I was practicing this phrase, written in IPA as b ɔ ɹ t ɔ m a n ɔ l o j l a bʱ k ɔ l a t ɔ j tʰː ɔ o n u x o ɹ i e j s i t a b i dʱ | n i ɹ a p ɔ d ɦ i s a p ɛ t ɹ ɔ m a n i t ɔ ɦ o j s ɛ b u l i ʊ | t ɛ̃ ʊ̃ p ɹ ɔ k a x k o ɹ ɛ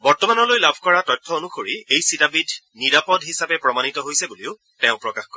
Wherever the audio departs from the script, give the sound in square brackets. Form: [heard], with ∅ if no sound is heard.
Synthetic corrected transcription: b ɔ ɹ t ɔ m a n ɔ l o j l a bʱ k ɔ [ɹ] a t ɔ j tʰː ɔ o n u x o ɹ i e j s i t a b i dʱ | n i ɹ a p ɔ d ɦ i s a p ɛ [p] ɹ ɔ m a n i t ɔ ɦ o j s ɛ b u l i ʊ | t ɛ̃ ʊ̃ p ɹ ɔ k a x k [ɔ] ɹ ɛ